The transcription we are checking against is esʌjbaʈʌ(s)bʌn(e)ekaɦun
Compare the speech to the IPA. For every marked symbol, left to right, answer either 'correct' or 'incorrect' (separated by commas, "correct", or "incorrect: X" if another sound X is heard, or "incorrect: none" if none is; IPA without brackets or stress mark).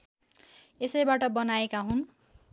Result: incorrect: none, incorrect: a